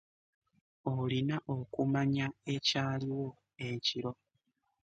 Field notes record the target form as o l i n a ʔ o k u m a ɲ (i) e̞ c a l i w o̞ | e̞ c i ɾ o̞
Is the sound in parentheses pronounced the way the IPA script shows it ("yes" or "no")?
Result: no